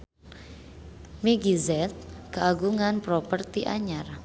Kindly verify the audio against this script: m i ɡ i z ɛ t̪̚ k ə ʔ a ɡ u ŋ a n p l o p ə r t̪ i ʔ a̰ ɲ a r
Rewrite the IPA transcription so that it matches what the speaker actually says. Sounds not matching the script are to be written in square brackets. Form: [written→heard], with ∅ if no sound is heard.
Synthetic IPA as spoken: m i ɡ i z ɛ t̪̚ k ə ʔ a ɡ u ŋ a n p [l→ɾ] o p ə r t̪ i ʔ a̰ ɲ a r